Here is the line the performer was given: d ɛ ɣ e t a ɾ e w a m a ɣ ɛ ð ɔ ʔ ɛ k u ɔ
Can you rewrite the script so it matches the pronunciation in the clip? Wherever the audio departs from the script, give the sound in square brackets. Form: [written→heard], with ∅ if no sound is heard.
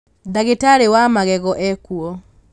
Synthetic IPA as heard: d [ɛ→a] ɣ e t a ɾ e w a m a ɣ ɛ [ð→ɣ] ɔ ʔ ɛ k u ɔ